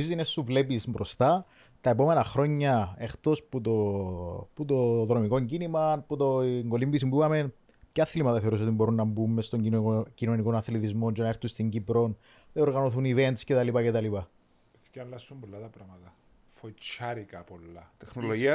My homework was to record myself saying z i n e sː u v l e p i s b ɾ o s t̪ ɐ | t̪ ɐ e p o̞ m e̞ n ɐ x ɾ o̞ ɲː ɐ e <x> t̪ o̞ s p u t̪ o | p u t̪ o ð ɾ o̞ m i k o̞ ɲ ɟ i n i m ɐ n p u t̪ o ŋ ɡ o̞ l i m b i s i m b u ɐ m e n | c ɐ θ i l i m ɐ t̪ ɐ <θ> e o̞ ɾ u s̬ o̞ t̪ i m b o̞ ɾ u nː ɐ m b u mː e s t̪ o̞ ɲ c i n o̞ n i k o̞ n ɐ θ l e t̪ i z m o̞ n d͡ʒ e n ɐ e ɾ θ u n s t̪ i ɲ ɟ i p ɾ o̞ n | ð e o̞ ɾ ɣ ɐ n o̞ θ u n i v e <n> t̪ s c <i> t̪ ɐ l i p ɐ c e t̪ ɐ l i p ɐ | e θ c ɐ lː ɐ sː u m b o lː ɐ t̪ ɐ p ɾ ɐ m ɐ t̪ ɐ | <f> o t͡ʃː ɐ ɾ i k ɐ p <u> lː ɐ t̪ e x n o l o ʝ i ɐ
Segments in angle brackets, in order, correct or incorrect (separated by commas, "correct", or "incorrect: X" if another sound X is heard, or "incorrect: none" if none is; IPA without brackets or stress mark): correct, correct, correct, incorrect: e, correct, incorrect: o